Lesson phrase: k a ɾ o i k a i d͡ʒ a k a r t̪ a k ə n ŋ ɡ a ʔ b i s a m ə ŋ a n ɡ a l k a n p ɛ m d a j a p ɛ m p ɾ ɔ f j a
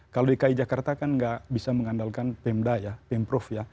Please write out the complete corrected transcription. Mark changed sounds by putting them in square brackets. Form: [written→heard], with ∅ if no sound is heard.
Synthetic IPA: k a [ɾ→l] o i k a i d͡ʒ a k a r t̪ a k [ə→a] n ŋ ɡ a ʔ b i s a m ə ŋ a n [ɡ→d] a l k a n p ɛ m d a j a p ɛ m p ɾ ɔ f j a